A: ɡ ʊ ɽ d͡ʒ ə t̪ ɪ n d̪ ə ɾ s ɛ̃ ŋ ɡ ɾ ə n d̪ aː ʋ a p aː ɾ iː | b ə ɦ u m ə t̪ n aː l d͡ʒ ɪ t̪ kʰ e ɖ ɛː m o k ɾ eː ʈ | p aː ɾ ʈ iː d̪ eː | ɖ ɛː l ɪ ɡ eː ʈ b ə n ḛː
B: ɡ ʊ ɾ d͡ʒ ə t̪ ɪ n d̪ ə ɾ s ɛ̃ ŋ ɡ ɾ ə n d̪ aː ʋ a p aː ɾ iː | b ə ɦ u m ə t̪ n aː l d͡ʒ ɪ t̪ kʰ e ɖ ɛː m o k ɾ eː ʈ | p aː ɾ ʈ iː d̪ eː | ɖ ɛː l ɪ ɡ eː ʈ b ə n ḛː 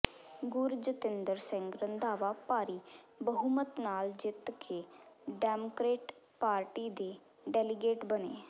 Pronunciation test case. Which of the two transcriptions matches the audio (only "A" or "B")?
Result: B